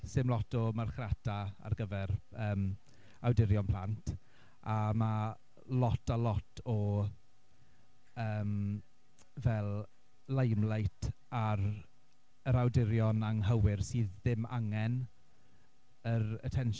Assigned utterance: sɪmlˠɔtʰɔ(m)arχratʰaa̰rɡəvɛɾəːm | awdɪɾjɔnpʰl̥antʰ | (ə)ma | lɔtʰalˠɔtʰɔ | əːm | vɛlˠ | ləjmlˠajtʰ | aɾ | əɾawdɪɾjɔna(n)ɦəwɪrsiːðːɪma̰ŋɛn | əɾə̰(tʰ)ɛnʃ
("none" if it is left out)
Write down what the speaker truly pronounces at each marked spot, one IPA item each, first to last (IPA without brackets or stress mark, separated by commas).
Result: m, a, ŋ, tʰ